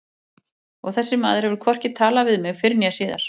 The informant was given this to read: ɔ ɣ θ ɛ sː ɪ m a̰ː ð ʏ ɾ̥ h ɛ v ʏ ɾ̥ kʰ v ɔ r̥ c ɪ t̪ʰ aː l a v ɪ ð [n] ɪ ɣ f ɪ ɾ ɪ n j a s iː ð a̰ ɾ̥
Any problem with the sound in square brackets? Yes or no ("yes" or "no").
yes